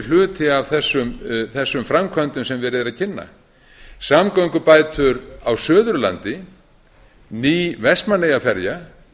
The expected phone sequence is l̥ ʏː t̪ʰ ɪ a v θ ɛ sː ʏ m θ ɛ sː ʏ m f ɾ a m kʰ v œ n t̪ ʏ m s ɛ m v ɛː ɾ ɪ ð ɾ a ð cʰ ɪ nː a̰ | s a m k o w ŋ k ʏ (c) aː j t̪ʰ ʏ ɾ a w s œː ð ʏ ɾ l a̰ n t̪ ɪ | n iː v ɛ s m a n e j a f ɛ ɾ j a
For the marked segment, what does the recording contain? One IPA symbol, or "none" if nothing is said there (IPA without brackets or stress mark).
p